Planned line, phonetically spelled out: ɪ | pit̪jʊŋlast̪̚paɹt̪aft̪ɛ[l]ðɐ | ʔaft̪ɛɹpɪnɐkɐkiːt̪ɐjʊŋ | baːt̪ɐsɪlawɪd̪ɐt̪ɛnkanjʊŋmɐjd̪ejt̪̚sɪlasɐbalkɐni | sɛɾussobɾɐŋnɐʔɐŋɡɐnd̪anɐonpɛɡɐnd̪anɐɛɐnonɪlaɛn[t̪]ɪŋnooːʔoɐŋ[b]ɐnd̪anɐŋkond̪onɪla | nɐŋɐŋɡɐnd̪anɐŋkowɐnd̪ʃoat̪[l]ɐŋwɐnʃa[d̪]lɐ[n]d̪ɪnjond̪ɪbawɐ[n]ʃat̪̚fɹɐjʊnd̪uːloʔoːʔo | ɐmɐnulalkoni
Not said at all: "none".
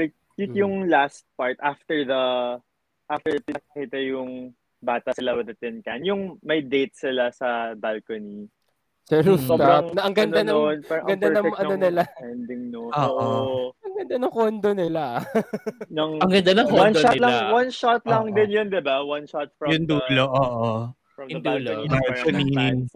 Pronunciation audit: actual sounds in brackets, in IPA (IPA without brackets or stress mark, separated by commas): ɹ, d̪, ɡ, l, t̪, ŋ, n